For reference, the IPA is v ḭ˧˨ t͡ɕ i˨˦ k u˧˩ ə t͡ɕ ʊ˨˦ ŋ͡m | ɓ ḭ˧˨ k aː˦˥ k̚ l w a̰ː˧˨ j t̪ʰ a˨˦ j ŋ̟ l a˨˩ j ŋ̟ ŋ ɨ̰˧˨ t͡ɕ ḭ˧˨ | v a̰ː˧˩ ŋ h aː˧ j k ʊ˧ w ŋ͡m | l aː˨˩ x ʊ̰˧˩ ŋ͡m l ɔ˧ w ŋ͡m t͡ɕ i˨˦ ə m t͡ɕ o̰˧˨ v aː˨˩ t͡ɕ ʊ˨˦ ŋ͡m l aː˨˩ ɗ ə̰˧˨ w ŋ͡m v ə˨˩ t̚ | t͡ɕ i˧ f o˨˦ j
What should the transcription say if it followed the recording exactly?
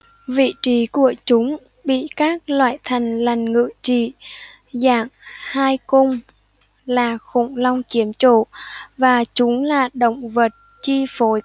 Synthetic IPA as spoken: v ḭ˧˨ t͡ɕ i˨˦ k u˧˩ ə t͡ɕ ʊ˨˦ ŋ͡m | ɓ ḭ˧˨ k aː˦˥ k̚ l w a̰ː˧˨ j t̪ʰ a˨˩ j ŋ̟ l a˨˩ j ŋ̟ ŋ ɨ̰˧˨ t͡ɕ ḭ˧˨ | z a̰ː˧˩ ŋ h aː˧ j k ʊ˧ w ŋ͡m | l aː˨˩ x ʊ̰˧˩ ŋ͡m l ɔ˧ w ŋ͡m t͡ɕ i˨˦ ə m t͡ɕ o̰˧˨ v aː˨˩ t͡ɕ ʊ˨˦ ŋ͡m l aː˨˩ ɗ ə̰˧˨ w ŋ͡m v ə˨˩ t̚ | t͡ɕ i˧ f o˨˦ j